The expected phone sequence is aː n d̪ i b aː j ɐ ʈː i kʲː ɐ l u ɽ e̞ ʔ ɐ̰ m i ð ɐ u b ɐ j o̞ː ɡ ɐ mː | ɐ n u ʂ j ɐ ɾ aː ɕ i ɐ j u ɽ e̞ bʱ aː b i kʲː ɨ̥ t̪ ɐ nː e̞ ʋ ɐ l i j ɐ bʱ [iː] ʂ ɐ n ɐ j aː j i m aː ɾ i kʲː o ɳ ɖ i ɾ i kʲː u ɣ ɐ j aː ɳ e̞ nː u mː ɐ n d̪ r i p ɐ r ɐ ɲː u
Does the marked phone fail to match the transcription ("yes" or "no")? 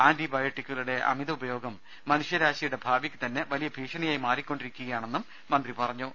no